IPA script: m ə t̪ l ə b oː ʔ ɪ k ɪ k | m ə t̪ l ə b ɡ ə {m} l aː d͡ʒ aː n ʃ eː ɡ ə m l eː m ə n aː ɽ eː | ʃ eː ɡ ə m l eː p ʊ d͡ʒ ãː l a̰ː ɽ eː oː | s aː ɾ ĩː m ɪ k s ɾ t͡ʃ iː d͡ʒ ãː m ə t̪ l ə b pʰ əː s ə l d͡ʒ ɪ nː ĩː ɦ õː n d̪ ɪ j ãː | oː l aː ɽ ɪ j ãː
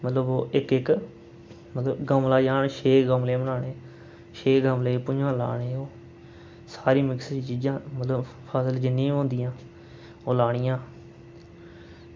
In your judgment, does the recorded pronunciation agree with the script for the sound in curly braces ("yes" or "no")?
yes